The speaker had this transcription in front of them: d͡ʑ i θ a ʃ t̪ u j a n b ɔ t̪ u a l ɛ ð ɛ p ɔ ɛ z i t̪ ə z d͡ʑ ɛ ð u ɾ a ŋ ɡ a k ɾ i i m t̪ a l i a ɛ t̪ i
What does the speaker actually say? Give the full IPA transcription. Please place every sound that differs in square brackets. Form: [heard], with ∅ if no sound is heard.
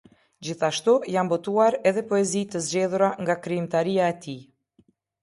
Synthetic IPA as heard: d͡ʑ i θ a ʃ t̪ u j a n b ɔ t̪ u a [ɾ] ɛ ð ɛ p ɔ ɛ z i t̪ ə z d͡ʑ ɛ ð u ɾ a ŋ ɡ a k ɾ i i m t̪ a [ɾ] i a ɛ t̪ i